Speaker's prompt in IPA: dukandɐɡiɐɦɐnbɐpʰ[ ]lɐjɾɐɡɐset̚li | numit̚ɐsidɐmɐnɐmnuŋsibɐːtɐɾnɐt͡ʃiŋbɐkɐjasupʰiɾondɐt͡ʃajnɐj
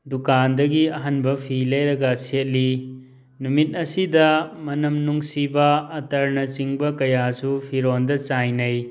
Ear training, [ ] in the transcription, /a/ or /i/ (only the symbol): i